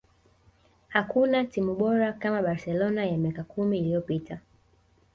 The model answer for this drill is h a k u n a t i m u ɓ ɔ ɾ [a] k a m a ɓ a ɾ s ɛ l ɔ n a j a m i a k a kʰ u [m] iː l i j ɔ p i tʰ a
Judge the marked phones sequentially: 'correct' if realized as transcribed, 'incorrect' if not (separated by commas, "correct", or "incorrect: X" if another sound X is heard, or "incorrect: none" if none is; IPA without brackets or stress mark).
correct, correct